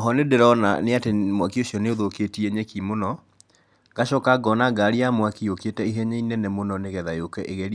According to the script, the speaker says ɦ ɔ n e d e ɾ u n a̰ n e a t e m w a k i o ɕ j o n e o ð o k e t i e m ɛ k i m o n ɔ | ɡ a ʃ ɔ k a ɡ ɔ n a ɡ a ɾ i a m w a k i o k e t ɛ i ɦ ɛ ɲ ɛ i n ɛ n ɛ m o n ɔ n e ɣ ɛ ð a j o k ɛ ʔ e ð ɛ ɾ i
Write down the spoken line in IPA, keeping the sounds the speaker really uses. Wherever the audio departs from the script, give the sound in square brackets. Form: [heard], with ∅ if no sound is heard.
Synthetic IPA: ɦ ɔ n e d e ɾ [ɔ] n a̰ n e a t e m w a k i o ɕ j [ɔ] n e o ð o k e t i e [ɲ] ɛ k i m o n ɔ | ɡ a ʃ ɔ k a ɡ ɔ n a ɡ a ɾ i a m w a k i o k e t ɛ i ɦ ɛ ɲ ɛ i n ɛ n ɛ m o n ɔ n e ɣ ɛ ð a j o k ɛ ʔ e [ɣ] ɛ ɾ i